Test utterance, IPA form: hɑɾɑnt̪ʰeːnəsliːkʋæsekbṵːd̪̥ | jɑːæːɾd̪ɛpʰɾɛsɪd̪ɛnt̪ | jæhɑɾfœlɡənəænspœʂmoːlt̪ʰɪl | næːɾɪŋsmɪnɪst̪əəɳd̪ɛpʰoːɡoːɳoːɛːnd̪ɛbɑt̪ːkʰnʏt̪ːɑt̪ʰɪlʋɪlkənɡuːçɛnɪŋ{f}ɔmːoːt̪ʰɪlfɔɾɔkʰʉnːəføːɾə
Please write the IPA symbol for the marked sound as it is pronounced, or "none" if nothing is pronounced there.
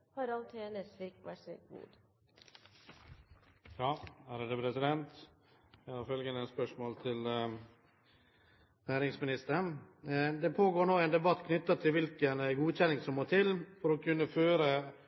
s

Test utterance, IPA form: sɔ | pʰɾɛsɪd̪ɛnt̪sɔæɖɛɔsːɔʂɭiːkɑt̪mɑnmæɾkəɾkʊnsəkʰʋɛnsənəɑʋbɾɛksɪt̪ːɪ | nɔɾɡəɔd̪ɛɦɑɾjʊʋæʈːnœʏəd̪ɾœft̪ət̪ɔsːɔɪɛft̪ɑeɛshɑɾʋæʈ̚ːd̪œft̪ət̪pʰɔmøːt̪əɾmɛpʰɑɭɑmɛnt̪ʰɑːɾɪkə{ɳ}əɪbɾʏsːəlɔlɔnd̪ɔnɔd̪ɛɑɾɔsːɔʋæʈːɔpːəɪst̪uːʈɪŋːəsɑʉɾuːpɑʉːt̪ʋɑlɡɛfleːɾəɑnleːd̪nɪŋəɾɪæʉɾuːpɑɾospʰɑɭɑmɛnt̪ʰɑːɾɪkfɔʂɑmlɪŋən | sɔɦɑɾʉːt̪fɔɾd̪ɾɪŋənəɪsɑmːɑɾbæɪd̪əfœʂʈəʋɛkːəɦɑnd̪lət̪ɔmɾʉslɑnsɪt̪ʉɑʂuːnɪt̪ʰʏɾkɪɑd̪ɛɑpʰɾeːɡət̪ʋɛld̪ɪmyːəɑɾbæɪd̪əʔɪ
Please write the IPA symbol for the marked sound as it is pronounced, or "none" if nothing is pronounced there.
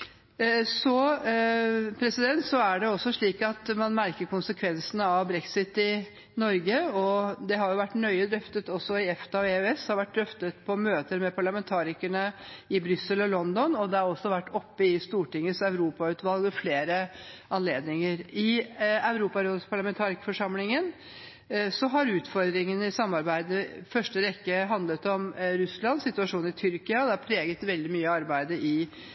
ɳ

